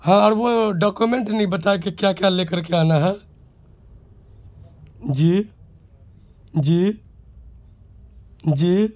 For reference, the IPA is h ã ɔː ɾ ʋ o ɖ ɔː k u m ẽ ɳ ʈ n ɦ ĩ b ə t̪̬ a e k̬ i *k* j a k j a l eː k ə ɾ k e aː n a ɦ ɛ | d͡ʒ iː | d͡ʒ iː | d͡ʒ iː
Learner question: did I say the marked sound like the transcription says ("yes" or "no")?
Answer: yes